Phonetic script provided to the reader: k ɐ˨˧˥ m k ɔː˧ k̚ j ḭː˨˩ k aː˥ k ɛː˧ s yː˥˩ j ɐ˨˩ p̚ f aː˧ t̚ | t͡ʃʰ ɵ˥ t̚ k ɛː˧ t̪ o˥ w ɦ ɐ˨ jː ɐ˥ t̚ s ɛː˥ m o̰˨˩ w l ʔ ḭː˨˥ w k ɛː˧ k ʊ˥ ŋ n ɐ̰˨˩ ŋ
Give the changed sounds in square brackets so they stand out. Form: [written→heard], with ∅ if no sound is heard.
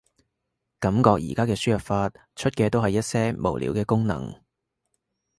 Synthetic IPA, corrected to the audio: k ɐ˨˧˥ m k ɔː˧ k̚ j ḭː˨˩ k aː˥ k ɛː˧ s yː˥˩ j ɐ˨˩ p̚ f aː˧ t̚ | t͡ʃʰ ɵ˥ t̚ k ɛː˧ t̪ o˥ w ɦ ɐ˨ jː ɐ˥ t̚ s ɛː˥ m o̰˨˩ w l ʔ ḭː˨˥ w k ɛː˧ k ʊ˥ ŋ n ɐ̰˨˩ ŋ

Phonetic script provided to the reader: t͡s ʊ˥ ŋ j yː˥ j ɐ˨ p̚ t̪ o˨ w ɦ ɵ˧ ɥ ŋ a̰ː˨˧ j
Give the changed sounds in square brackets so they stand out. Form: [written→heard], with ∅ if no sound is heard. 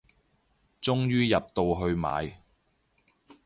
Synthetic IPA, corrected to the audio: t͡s ʊ˥ ŋ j yː˥ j ɐ˨ p̚ t̪ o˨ w ɦ ɵ˧ ɥ [ŋ→m] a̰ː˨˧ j

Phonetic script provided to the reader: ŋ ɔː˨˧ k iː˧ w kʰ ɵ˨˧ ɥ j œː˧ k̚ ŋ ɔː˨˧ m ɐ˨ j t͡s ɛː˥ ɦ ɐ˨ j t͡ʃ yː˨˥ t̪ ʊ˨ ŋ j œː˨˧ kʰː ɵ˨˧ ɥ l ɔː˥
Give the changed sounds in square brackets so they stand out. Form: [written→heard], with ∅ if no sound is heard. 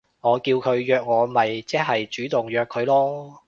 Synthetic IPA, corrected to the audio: ŋ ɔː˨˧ k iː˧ w kʰ ɵ˨˧ ɥ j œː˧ k̚ ŋ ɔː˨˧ m ɐ˨ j t͡s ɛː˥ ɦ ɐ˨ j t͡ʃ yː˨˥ t̪ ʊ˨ ŋ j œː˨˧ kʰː ɵ˨˧ ɥ l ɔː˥

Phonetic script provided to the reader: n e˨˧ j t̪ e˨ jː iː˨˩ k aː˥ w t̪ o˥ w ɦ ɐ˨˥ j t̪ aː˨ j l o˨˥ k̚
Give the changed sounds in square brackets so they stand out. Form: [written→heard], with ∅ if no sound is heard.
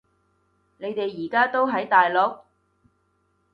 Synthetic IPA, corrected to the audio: n e˨˧ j t̪ e˨ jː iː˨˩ k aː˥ [w→∅] t̪ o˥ w ɦ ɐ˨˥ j t̪ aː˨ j l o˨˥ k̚

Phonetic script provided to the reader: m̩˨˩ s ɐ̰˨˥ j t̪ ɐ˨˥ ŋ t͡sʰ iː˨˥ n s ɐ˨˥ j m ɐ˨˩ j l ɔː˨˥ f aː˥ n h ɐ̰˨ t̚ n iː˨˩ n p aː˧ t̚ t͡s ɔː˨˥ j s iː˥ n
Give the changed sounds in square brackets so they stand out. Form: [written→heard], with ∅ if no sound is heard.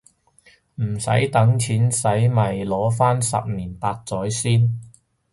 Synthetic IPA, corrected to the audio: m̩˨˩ s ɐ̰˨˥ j t̪ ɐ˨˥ ŋ t͡sʰ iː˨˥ n s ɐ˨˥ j m ɐ˨˩ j l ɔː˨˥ f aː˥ n [h→s] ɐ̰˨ [t̚→p̚] n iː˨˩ n p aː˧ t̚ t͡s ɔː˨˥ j s iː˥ n

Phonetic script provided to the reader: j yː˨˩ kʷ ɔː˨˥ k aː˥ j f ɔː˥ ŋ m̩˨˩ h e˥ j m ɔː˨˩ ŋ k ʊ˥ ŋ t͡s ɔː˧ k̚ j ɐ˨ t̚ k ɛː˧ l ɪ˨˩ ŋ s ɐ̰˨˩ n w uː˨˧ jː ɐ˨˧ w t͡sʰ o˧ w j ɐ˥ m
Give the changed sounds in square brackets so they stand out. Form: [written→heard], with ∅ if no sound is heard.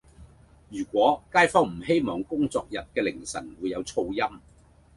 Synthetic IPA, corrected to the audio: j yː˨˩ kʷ ɔː˨˥ k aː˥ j f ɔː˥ ŋ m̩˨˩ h e˥ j m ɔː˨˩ ŋ k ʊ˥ ŋ t͡s ɔː˧ k̚ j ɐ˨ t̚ k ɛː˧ l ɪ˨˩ ŋ s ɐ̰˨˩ n w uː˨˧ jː ɐ˨˧ w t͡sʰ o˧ w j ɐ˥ m

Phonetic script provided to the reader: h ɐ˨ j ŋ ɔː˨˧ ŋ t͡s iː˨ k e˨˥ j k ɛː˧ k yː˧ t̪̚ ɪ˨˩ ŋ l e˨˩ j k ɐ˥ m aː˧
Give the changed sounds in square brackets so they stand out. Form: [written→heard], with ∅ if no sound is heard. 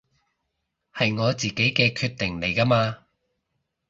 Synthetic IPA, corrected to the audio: h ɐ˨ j ŋ ɔː˨˧ [ŋ→∅] t͡s iː˨ k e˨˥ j k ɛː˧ [k→kʰ] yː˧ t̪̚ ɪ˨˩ ŋ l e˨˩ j k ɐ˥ m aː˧

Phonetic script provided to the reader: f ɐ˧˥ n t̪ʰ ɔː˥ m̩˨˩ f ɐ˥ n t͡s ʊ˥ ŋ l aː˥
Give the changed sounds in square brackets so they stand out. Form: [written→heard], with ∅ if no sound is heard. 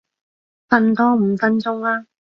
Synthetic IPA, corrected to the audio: f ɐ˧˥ n [t̪ʰ→t̪] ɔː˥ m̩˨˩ f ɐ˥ n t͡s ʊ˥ ŋ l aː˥

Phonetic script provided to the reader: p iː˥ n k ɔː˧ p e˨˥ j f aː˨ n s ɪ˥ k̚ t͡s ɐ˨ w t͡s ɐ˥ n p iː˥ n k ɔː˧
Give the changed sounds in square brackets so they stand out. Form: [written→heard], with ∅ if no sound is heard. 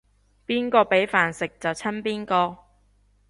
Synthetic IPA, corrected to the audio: p iː˥ n k ɔː˧ p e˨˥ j f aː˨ n s [ɪ˥→ɪ˨] k̚ t͡s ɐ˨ w [t͡s→t͡sʰ] ɐ˥ n p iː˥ n k ɔː˧

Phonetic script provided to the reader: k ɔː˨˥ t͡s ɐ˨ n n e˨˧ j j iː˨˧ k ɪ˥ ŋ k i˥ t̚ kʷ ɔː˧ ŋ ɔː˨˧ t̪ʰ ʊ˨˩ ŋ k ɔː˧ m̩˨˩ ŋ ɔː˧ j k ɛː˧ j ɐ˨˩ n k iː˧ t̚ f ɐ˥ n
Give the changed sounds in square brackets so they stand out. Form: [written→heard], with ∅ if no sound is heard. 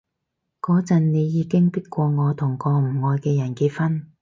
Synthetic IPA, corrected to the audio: k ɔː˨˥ t͡s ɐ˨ n n e˨˧ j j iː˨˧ k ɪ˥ ŋ [k→p] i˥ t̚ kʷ ɔː˧ ŋ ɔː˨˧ t̪ʰ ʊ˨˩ ŋ k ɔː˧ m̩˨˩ ŋ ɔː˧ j k ɛː˧ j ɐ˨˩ n k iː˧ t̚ f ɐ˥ n

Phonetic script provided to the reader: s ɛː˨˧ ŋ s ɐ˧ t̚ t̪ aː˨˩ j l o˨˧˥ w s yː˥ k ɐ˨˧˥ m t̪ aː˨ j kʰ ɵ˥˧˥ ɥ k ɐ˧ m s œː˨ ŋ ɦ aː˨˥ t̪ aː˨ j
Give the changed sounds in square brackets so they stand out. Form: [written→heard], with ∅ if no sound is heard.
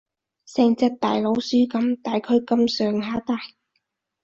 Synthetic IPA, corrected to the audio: s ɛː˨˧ ŋ [s→t͡s] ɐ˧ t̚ t̪ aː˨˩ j l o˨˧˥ w s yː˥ k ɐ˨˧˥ m t̪ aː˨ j kʰ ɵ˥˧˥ ɥ k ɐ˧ m s œː˨ ŋ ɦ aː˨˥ t̪ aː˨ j

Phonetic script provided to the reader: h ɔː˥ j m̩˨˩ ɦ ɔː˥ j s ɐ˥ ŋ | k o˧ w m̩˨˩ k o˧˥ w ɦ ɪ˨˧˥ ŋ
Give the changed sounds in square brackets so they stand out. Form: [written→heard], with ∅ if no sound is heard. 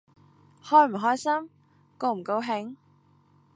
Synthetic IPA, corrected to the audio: h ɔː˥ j m̩˨˩ ɦ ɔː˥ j s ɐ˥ [ŋ→m] | k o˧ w m̩˨˩ k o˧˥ w ɦ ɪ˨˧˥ ŋ

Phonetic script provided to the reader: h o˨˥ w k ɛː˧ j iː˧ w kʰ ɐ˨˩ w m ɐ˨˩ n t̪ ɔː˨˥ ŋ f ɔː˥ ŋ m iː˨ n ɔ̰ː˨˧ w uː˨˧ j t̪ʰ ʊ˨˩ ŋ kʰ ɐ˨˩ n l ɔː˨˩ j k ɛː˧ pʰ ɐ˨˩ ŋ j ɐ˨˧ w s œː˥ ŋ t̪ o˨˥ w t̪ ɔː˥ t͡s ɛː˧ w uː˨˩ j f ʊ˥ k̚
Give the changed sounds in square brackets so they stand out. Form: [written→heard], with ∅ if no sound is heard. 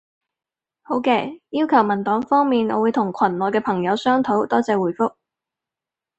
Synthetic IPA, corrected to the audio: h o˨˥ w k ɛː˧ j [iː˧→iː˥] w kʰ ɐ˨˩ w m ɐ˨˩ n t̪ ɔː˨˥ ŋ f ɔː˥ ŋ m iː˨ n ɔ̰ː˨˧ w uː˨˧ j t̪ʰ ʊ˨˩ ŋ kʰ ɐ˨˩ n l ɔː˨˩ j k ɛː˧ pʰ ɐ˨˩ ŋ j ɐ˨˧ w s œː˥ ŋ [t̪→t̪ʰ] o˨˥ w t̪ ɔː˥ t͡s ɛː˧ w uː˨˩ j f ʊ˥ k̚

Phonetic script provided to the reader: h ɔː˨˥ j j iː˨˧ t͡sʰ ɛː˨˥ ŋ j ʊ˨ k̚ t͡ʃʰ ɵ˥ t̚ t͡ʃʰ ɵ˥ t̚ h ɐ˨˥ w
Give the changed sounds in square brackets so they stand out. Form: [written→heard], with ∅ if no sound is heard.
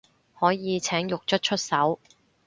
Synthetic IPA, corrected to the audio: h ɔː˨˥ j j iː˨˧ t͡sʰ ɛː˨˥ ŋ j ʊ˨ k̚ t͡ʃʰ ɵ˥ t̚ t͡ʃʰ ɵ˥ t̚ [h→s] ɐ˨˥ w

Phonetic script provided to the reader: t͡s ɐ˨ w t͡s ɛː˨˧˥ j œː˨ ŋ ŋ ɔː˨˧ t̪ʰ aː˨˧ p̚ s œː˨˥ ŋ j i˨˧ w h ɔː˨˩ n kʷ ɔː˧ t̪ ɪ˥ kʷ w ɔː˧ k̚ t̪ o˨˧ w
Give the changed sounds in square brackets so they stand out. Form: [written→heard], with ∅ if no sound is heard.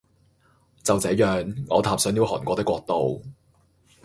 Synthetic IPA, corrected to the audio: t͡s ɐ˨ w t͡s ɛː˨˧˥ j œː˨ ŋ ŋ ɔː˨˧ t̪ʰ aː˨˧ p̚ s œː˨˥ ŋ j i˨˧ w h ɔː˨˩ n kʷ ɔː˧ t̪ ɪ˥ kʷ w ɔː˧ k̚ t̪ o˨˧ w

